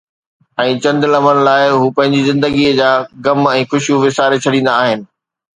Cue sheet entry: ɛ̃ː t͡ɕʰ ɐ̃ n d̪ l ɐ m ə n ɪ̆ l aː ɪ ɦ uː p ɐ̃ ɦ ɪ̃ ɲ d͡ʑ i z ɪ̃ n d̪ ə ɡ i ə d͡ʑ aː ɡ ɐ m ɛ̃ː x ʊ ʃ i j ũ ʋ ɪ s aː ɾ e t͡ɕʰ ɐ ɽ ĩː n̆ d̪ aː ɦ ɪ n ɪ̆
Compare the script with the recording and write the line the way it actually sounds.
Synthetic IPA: ɛ̃ː t͡ɕ ɐ̃ n d̪ l ɐ m ə n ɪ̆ l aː ɪ ɦ uː p ɐ̃ ɦ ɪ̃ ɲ d͡ʑ i z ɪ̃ n d̪ ə ɡ i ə d͡ʑ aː ɡ ɐ m ɛ̃ː x ʊ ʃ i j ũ ʋ ɪ s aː ɾ e t͡ɕʰ ɐ ɽ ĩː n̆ d̪ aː ɦ ɪ n ɪ̆